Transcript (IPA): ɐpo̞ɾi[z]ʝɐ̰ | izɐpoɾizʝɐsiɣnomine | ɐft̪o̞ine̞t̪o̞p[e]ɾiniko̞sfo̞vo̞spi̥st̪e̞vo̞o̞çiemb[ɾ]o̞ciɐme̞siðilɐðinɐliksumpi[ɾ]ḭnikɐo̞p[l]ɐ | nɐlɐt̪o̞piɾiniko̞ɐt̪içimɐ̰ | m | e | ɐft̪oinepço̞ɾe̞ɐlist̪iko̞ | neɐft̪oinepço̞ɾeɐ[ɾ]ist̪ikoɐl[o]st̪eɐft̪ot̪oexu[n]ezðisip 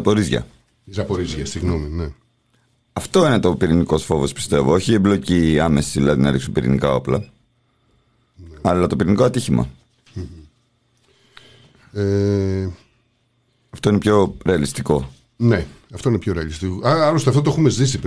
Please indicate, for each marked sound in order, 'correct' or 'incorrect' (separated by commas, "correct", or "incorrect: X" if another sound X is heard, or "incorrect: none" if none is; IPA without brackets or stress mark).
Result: correct, incorrect: i, incorrect: l, correct, correct, incorrect: l, correct, incorrect: m